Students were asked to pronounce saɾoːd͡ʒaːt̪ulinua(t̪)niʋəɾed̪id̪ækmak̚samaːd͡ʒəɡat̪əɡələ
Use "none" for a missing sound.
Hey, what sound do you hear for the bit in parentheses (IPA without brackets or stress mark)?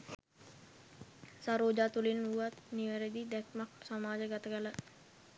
t̪